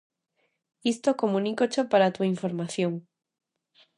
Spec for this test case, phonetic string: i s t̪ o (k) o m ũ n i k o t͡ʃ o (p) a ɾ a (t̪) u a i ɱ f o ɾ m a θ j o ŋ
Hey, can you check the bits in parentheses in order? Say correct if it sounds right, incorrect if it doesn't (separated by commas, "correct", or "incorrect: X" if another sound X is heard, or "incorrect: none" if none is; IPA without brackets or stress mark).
correct, correct, correct